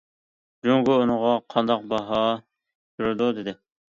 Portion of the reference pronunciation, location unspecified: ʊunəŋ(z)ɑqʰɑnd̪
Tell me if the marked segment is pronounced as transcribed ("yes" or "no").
no